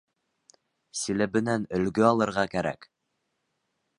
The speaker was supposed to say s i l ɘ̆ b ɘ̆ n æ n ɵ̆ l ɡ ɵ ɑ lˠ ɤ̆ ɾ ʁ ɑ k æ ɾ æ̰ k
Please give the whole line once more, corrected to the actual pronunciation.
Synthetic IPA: s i l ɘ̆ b ɘ̆ n æ n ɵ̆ l ɡ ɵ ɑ lˠ ɤ̆ ɾ ʁ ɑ k æ ɾ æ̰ k